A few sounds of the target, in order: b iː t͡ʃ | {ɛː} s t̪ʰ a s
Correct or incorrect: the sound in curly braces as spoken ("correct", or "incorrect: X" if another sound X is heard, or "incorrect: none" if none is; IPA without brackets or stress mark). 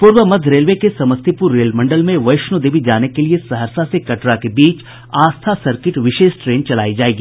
incorrect: aː